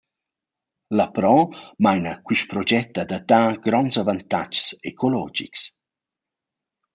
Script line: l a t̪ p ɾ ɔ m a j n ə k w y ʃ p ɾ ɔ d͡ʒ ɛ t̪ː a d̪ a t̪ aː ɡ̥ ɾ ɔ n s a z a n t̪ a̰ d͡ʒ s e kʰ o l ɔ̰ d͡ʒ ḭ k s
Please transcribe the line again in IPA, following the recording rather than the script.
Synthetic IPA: l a p ɾ ɔ m a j n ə k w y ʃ p ɾ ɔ d͡ʒ ɛ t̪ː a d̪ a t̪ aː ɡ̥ ɾ ɔ n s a v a n t̪ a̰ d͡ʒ s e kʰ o l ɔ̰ d͡ʒ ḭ k s